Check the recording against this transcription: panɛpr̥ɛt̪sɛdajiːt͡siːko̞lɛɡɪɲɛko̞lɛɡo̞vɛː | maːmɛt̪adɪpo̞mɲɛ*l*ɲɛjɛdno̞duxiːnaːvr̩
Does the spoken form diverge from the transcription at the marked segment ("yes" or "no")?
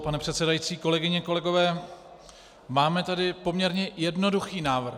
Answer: yes